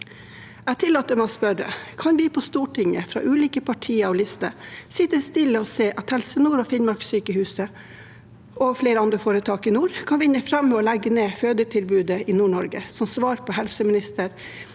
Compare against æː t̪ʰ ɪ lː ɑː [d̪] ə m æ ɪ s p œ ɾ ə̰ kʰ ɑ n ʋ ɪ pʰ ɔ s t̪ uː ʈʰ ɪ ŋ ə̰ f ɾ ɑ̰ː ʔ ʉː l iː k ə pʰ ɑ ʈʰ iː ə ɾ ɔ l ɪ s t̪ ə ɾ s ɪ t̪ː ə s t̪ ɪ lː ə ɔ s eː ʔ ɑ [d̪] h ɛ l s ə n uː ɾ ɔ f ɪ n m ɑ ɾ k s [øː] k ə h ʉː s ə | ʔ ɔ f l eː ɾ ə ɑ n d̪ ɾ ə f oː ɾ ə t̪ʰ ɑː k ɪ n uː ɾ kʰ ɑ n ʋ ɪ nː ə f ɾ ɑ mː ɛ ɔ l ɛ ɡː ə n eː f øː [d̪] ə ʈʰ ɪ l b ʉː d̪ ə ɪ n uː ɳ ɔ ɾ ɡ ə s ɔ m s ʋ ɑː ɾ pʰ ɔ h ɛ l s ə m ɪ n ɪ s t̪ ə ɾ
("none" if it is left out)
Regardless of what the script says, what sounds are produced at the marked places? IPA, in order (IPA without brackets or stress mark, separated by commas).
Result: t̪, t̪, yː, d̪